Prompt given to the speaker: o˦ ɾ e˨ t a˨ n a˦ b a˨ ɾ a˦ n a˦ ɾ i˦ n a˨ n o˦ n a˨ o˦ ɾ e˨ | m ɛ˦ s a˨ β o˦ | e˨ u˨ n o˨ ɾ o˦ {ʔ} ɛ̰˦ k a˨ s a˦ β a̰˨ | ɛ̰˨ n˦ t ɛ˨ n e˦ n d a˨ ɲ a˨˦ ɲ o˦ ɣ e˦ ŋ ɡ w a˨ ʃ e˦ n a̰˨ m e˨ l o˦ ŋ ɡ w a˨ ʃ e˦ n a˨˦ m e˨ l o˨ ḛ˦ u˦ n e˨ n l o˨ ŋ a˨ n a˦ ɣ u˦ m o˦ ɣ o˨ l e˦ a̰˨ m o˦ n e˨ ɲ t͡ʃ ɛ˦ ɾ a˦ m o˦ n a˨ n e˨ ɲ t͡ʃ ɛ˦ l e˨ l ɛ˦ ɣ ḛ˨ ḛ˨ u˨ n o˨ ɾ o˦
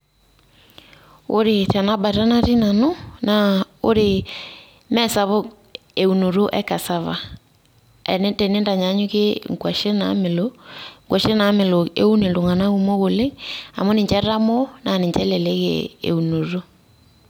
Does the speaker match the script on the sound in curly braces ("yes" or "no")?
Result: yes